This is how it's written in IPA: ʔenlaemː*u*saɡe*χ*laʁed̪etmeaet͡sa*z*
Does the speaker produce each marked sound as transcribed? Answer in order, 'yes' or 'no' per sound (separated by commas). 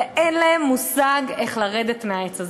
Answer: yes, yes, yes